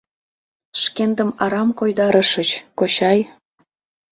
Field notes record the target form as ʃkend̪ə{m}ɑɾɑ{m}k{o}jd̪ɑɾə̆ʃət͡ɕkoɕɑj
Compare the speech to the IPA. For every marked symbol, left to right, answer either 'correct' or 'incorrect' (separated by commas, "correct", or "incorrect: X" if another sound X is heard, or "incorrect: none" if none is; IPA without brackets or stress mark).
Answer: correct, correct, correct